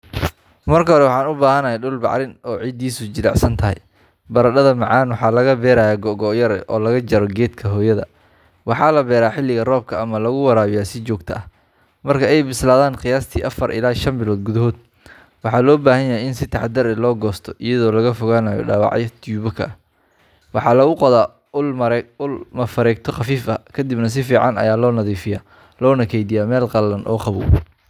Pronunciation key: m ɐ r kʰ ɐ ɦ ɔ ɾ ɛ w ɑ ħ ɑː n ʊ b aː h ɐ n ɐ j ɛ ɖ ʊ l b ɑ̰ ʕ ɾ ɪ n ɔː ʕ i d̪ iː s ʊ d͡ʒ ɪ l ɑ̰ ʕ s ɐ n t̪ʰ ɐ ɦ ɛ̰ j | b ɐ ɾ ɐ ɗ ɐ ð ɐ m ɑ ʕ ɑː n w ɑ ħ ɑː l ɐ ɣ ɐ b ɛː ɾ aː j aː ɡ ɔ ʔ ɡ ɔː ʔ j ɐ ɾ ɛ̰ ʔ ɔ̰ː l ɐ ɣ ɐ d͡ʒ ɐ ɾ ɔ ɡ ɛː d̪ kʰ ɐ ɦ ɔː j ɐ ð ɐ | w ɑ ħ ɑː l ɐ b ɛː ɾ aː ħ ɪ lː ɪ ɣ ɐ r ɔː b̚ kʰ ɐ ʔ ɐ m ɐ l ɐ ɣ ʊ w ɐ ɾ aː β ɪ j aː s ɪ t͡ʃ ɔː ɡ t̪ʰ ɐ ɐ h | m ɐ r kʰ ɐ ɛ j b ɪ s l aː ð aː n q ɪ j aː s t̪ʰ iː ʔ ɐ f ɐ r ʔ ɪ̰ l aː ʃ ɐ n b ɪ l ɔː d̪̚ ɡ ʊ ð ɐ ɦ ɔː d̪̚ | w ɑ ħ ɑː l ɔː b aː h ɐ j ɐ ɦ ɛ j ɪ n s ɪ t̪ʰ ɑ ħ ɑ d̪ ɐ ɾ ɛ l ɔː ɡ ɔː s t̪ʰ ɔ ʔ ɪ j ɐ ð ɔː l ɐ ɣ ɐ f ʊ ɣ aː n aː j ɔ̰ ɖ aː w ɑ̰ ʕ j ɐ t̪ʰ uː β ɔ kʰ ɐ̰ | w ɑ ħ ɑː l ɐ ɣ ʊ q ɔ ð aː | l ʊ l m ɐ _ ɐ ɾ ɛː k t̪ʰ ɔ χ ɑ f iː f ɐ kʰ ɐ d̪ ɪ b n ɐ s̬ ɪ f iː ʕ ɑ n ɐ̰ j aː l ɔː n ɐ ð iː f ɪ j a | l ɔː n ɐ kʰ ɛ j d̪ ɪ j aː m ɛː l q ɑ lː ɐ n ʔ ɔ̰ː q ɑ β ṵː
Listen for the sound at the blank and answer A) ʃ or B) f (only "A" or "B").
B